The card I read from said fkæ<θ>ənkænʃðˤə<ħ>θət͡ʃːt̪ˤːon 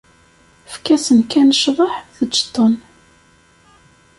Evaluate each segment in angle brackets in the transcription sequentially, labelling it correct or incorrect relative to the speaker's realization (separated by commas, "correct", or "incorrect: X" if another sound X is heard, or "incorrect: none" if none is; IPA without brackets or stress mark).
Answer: incorrect: s, correct